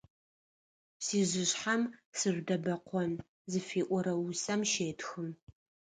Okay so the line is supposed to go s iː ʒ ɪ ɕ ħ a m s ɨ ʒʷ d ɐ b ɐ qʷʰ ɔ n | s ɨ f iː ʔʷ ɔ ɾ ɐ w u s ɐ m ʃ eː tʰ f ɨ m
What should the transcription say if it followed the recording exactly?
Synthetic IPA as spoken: s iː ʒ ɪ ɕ ħ a m s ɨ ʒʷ d ɐ b ɐ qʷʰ ɔ n | z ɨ f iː ʔʷ ɔ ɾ ɐ w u s ɐ m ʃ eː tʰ x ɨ m